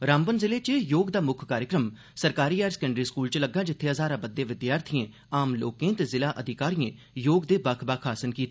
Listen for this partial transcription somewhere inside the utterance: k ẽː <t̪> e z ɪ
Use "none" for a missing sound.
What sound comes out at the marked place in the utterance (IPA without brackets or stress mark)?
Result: t̪